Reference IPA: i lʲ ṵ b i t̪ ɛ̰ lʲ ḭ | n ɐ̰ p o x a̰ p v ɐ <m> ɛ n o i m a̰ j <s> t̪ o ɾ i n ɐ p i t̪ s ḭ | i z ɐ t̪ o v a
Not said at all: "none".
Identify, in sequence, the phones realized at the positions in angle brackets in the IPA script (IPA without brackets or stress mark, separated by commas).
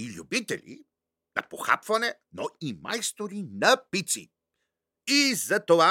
n, s